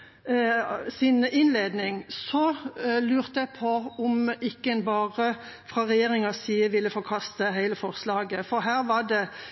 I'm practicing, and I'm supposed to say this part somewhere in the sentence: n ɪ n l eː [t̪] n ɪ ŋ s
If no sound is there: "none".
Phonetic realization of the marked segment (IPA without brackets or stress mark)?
d̪